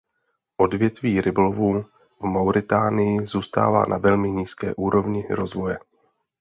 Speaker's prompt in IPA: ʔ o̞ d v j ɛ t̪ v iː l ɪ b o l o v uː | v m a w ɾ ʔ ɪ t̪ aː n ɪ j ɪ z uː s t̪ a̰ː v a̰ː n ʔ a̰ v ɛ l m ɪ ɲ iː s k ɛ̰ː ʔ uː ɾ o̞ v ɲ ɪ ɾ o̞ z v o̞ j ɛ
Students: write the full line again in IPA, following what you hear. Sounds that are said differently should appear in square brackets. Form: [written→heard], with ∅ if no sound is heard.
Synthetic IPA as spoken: ʔ o̞ d v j ɛ t̪ v iː [l→ɾ] ɪ b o l o v uː | v m a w ɾ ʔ ɪ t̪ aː n ɪ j ɪ z uː s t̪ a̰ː v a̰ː n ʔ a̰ v ɛ l m ɪ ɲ iː s k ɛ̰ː ʔ uː ɾ o̞ v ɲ ɪ ɾ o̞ z v o̞ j ɛ